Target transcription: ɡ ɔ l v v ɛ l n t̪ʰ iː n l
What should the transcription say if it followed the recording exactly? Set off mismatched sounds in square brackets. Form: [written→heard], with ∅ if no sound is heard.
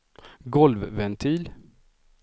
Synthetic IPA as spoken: ɡ ɔ l v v ɛ [l→∅] n t̪ʰ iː [n→∅] l